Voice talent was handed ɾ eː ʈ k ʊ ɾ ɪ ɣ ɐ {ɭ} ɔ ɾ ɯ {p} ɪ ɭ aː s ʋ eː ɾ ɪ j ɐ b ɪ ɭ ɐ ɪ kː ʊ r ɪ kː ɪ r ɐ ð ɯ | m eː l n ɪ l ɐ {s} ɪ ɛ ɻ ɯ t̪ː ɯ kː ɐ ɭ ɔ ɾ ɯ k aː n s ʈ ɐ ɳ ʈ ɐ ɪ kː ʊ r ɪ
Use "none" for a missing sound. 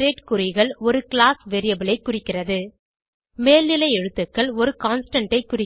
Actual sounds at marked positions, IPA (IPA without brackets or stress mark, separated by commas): ɭ, k, none